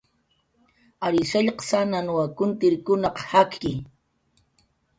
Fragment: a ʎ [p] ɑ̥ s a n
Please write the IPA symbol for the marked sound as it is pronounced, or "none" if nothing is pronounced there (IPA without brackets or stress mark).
q